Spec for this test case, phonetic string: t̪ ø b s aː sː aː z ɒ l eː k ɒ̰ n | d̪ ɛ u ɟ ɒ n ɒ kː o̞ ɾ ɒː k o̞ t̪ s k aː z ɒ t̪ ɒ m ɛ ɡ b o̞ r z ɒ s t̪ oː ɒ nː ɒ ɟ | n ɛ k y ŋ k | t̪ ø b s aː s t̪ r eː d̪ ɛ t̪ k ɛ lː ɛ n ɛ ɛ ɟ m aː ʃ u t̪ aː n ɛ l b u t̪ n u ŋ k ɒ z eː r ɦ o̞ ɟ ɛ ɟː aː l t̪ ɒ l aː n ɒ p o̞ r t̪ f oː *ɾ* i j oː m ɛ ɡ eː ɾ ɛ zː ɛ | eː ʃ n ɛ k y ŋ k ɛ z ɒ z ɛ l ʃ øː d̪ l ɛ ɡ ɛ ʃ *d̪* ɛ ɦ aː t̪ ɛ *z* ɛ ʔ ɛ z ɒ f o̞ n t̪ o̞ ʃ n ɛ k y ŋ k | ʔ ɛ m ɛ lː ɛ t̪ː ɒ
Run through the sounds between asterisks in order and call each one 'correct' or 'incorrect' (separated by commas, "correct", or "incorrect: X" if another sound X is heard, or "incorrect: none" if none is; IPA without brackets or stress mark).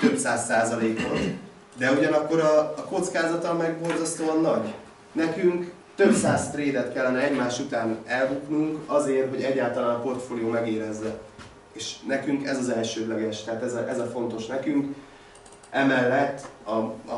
incorrect: l, incorrect: t̪, correct